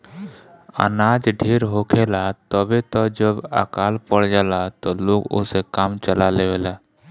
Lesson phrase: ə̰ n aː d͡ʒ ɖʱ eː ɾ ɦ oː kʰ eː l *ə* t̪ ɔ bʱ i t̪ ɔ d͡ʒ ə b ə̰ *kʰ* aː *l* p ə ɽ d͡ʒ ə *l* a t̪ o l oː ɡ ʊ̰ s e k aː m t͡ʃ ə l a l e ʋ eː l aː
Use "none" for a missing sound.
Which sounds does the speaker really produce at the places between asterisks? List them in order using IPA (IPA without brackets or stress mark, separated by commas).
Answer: a, k, l, l